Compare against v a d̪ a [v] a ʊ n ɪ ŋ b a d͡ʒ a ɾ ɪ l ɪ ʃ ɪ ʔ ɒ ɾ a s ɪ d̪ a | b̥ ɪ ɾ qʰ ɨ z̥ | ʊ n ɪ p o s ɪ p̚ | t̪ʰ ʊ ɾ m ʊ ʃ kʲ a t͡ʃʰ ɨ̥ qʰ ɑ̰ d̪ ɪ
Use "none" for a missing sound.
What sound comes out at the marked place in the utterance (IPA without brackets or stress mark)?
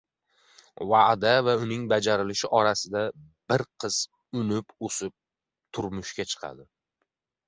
v